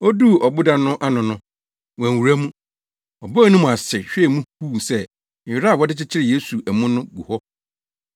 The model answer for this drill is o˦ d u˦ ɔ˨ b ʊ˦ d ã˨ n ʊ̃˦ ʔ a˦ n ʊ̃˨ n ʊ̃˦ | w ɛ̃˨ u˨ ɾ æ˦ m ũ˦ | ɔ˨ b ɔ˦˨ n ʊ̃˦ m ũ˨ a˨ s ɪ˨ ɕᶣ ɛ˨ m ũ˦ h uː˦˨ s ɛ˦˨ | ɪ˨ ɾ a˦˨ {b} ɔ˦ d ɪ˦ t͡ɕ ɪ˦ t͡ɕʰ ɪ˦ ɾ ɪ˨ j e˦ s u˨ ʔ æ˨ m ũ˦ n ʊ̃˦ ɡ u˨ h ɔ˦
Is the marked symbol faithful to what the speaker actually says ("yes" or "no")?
no